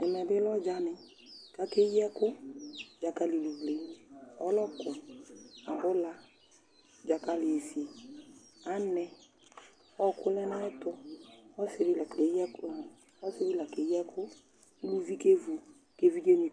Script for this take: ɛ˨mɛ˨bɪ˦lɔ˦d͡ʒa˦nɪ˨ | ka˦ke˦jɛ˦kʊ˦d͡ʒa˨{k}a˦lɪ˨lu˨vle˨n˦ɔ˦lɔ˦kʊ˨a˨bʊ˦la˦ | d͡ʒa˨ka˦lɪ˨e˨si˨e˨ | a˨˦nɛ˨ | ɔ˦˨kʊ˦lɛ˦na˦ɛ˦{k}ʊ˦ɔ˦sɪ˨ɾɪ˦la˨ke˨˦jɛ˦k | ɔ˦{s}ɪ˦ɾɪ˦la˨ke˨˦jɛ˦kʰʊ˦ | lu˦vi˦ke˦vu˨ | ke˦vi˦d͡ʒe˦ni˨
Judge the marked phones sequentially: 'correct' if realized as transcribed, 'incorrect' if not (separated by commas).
correct, incorrect, correct